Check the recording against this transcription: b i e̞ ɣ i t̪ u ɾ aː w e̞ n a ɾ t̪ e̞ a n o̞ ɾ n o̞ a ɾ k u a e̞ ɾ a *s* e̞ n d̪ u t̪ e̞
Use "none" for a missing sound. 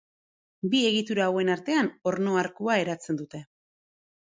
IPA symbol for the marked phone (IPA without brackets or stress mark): t͡s